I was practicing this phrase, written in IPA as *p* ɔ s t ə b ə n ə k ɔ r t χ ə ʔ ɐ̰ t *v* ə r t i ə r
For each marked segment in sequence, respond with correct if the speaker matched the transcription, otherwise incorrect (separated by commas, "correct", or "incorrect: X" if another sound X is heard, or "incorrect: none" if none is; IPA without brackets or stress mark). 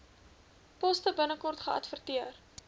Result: correct, incorrect: f